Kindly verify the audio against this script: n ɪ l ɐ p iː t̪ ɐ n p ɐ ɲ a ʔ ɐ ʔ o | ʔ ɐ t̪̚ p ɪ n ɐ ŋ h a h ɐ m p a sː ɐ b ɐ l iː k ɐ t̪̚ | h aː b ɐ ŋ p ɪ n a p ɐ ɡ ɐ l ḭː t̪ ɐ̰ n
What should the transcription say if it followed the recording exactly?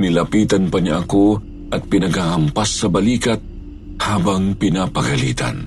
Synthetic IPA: n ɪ l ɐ p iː t̪ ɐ n p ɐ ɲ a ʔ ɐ k o | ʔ ɐ t̪̚ p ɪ n ɐ ɡ h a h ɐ m p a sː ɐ b ɐ l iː k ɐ t̪̚ | h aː b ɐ ŋ p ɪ n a p ɐ ɡ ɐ l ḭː t̪ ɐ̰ n